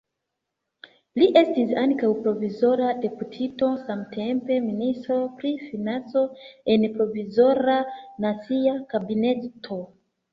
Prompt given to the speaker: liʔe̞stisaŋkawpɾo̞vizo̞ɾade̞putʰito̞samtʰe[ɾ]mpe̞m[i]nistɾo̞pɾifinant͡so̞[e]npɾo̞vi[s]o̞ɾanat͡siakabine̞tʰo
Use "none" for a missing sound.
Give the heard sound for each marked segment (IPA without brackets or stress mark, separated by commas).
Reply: none, i, e, z